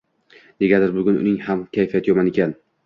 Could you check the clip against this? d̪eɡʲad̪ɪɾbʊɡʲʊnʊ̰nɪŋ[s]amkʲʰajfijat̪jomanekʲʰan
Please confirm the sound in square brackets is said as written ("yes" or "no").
no